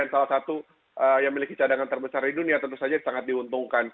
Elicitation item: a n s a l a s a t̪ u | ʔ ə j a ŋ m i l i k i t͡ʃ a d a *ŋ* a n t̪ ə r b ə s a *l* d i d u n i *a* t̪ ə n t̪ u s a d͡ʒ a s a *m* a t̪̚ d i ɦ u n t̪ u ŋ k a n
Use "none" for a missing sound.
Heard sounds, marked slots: ŋ, r, a, ŋ

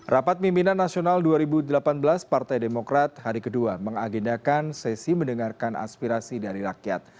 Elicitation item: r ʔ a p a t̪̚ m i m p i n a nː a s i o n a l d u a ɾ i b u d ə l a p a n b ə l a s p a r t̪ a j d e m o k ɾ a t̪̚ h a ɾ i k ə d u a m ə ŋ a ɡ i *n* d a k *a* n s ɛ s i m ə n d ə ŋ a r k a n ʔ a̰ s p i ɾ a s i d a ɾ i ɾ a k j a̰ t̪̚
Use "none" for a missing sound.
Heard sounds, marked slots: n, a

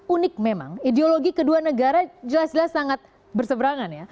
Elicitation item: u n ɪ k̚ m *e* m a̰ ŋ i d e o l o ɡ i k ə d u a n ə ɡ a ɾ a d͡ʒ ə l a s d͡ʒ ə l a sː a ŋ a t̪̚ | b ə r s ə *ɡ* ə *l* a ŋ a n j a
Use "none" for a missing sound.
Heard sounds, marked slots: e, b, ɾ

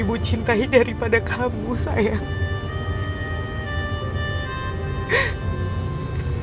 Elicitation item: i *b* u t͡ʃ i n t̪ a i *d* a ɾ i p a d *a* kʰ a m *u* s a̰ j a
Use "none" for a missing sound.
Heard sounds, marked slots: b, d, a, u

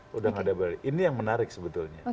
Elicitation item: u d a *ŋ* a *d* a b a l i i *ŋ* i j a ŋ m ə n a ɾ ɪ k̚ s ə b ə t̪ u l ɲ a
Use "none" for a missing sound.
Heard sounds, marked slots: ŋ, d, n

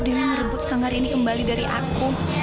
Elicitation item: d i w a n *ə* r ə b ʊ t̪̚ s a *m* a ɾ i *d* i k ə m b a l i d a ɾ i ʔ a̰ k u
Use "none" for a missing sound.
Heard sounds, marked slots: ə, ŋ, n

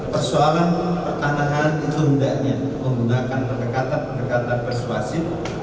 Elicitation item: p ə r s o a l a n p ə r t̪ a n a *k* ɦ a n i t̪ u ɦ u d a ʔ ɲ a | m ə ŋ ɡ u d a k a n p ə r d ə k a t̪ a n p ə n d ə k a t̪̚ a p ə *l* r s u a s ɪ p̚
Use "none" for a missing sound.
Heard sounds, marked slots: none, none

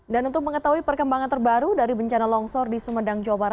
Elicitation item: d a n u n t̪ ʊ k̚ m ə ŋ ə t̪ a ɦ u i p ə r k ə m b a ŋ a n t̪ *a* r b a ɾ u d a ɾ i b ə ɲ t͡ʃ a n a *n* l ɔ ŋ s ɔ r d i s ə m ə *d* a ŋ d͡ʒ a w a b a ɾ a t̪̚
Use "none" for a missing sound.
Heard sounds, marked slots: ə, none, d

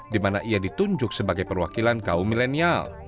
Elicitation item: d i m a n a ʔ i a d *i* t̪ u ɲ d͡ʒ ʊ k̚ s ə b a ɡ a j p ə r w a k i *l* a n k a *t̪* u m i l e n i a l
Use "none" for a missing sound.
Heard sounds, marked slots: i, l, none

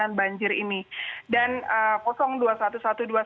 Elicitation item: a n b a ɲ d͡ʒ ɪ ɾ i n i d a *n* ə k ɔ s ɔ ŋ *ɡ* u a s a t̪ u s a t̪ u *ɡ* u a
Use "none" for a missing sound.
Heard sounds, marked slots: n, d, d

